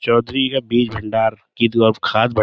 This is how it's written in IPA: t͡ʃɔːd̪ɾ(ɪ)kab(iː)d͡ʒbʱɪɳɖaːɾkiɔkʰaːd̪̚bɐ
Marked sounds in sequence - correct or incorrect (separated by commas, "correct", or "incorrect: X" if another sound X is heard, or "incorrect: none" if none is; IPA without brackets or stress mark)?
incorrect: i, correct